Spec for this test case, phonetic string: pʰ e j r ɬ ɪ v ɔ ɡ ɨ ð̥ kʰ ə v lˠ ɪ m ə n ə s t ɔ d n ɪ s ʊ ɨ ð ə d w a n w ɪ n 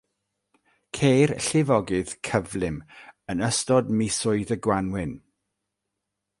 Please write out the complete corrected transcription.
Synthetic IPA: kʰ e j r ɬ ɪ v ɔ ɡ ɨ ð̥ kʰ ə v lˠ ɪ m ə n ə s t ɔ d m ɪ s ʊ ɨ ð ə ɡ w a n w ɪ n